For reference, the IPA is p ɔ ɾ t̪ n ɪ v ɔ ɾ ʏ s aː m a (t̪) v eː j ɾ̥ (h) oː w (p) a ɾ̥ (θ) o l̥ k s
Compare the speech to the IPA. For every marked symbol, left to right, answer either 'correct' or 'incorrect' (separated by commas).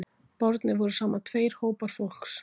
incorrect, correct, correct, incorrect